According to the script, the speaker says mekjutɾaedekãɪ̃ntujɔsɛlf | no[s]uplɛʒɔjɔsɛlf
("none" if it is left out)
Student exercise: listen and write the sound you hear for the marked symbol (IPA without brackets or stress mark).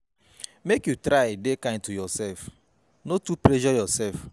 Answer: t